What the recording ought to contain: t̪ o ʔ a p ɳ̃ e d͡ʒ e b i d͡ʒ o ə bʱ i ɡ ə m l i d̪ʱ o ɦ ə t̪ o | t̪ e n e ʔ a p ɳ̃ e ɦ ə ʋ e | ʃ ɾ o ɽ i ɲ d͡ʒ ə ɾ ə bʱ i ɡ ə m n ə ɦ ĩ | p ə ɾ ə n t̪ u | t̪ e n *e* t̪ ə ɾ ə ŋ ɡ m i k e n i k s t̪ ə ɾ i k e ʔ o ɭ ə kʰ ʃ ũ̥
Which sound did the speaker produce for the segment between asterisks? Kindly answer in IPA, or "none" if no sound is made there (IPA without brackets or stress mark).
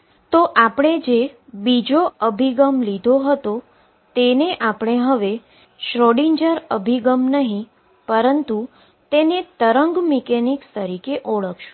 e